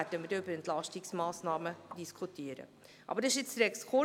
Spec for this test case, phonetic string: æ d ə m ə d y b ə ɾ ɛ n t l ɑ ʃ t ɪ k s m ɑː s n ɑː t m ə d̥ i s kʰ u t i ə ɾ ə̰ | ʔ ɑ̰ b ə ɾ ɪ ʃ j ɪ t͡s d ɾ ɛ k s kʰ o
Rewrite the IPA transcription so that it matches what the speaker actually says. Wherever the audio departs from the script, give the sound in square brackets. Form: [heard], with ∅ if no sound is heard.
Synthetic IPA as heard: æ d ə m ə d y b ə ɾ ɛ n t l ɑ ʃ t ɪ k s m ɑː s n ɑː [∅] m ə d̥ i s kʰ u t i ə ɾ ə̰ | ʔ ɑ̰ b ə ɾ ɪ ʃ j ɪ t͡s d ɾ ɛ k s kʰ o